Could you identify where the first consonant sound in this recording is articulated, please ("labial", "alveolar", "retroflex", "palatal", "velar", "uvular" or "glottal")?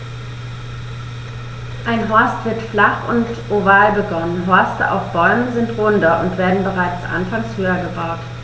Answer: glottal